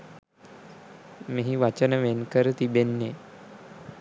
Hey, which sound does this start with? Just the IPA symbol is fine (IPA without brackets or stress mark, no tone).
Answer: m